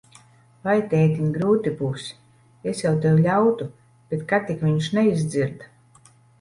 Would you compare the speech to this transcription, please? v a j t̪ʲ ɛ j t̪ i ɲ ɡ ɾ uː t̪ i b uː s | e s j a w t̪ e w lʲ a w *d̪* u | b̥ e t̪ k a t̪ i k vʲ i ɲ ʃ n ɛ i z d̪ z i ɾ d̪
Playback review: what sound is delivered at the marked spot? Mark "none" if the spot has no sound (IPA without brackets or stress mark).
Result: t̪